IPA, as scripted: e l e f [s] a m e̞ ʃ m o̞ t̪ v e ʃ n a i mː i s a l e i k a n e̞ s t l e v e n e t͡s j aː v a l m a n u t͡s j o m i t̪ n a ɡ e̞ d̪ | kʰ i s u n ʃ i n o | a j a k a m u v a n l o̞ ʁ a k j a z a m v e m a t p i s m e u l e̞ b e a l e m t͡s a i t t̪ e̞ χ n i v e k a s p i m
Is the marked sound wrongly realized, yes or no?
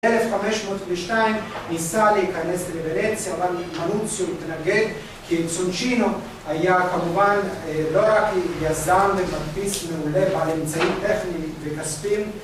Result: yes